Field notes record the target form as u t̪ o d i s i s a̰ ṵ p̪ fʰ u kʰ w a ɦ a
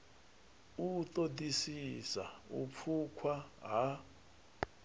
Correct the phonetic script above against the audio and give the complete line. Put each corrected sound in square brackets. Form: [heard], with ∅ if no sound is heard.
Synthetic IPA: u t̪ o d i s i s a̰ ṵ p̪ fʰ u kʰ w a ɦ a

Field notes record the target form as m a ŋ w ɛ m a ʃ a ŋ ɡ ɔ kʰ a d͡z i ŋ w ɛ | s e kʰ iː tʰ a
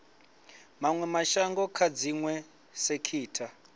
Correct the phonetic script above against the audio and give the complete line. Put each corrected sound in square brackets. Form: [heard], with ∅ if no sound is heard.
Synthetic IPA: m a ŋ w ɛ m a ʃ a ŋ ɡ ɔ kʰ a d͡z i ŋ w ɛ | s e kʰ iː tʰ a

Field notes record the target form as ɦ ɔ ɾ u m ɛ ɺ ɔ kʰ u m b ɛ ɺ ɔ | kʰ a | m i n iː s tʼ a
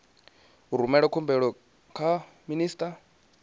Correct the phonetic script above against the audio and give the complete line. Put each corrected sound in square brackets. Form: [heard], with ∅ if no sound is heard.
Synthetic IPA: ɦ [u] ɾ u m ɛ ɺ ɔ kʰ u m b ɛ ɺ ɔ | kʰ a | m i n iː s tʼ a

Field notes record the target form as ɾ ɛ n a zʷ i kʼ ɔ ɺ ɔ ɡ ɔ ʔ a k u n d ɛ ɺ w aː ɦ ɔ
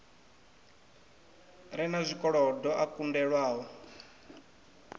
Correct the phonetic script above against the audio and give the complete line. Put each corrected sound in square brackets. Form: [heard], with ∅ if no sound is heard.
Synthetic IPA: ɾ ɛ n a zʷ i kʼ ɔ ɺ ɔ [d] ɔ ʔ a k u n d ɛ ɺ w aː ɦ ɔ

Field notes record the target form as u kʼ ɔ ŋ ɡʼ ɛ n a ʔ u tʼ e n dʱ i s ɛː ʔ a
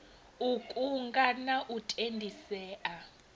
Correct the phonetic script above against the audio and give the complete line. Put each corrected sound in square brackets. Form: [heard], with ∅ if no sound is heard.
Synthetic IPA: u kʼ [u] ŋ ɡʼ [a] n a ʔ u tʼ e n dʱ i s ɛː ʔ a

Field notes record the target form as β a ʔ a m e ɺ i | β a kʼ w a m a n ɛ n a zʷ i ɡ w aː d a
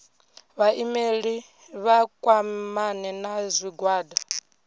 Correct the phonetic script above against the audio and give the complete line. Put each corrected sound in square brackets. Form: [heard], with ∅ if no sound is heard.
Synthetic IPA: β a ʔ [i] m e ɺ i | β a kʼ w a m a n ɛ n a zʷ i ɡ w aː d a

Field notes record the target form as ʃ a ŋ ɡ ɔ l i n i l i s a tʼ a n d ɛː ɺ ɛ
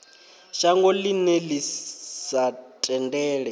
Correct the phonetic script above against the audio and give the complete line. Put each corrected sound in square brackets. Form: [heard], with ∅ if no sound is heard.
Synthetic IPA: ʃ a ŋ ɡ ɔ l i n [ɛ] l i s a tʼ [ɛ] n d ɛː ɺ ɛ

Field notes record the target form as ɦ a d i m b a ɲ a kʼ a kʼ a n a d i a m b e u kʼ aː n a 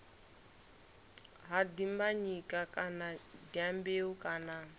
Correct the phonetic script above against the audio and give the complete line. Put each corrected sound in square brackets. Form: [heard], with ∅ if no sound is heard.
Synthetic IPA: ɦ a d i m b a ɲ [i] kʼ a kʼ a n a d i a m b e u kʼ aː n a

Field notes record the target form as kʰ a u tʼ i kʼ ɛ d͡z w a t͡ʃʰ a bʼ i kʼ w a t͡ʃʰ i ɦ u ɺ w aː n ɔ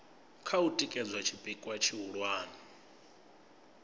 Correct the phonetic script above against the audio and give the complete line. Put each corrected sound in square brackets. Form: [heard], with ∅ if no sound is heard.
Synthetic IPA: kʰ a u tʼ i kʼ ɛ d͡z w a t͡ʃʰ [i] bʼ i kʼ w a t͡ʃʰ i ɦ u ɺ w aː n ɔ

